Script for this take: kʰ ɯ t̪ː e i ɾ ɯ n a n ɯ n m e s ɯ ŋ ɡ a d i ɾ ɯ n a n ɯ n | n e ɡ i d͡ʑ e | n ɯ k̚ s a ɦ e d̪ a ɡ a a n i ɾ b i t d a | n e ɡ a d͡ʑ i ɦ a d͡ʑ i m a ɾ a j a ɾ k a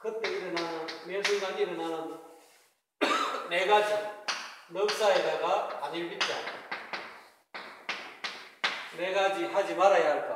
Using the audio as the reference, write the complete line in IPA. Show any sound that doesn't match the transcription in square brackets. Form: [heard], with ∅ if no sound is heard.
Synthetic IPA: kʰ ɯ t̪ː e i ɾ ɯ n a n ɯ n m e s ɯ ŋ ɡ a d i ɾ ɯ n a n ɯ n | n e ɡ [a] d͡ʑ [i] | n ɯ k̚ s a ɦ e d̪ a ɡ a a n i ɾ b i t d a | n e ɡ a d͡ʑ i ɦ a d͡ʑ i m a ɾ a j a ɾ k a